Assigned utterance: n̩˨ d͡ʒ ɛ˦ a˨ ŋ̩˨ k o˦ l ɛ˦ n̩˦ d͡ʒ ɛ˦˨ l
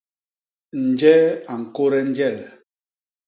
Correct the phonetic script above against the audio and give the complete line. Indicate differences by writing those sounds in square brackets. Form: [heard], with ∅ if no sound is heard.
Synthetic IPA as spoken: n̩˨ d͡ʒ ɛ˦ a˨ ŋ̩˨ k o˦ [ɾ] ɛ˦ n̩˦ d͡ʒ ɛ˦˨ l